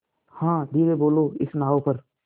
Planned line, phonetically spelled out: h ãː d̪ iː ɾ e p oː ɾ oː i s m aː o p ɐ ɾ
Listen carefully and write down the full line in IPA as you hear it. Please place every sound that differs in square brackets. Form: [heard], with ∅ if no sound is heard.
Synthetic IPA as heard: h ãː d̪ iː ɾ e [b] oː [l] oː [ɪ] s [n] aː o p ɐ ɾ